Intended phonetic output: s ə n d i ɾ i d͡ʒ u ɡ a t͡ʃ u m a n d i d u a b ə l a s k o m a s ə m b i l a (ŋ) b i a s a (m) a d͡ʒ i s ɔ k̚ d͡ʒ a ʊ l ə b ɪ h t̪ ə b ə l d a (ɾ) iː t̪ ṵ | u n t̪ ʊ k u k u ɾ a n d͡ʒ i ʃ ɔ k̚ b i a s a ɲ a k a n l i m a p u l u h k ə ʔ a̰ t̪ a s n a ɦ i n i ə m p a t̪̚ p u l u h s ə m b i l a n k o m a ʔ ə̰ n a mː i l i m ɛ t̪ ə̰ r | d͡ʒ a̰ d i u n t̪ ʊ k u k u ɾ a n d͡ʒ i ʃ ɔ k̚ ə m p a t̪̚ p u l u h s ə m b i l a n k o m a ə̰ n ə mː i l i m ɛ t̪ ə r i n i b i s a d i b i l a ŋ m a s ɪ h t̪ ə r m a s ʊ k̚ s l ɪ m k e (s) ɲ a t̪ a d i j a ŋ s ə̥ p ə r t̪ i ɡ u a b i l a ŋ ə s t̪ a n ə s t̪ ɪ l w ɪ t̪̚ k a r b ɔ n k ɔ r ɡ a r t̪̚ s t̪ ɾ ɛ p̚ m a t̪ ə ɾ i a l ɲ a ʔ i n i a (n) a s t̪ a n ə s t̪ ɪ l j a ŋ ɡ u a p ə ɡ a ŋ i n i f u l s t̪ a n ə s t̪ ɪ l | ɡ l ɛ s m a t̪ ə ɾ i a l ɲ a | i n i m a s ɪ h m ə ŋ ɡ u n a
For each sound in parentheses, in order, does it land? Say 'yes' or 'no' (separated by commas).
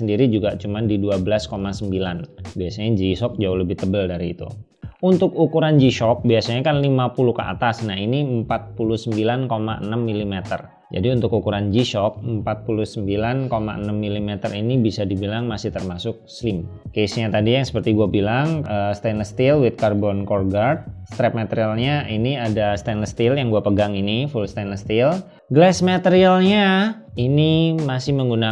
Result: no, no, yes, yes, no